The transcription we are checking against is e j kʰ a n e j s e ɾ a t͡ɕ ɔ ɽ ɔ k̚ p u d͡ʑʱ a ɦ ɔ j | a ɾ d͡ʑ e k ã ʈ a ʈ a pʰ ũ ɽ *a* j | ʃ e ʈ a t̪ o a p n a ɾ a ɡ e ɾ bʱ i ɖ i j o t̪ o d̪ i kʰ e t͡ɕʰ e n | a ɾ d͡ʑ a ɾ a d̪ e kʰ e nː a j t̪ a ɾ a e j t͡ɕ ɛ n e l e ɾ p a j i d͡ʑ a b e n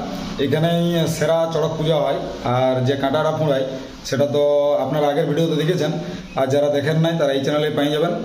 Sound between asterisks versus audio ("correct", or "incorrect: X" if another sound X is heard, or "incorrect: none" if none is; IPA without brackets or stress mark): correct